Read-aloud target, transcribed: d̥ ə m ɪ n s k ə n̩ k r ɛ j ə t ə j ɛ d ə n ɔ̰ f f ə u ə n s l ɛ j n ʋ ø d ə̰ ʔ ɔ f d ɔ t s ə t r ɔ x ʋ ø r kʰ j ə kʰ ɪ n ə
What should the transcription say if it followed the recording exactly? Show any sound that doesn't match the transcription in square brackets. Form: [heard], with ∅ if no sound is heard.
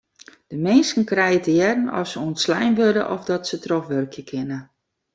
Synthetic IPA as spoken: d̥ ə m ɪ n s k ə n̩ k r ɛ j ə t ə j ɛ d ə n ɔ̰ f [s] ə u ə n s l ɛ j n ʋ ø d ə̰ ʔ ɔ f d ɔ t s ə t r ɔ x ʋ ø r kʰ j ə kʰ ɪ n ə